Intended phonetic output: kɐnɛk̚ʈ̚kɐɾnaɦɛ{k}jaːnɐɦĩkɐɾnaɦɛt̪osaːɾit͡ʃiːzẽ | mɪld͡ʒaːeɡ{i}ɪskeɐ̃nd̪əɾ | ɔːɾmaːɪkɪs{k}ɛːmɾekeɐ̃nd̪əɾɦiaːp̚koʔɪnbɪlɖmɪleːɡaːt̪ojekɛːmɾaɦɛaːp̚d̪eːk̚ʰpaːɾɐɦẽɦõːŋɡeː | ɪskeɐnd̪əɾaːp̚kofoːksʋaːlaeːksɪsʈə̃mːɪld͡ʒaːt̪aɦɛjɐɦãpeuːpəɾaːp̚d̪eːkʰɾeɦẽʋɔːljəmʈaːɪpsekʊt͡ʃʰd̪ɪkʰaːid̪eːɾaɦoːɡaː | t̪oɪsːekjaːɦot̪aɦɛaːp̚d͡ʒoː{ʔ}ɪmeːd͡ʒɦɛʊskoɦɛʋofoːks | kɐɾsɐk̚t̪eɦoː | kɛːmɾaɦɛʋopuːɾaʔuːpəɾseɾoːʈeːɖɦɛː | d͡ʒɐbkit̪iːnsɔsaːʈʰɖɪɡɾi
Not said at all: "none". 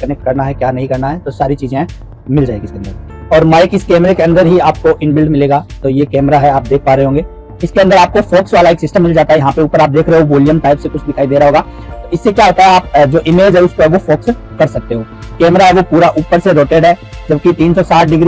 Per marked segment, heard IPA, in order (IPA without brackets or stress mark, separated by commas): k, i, k, ʔ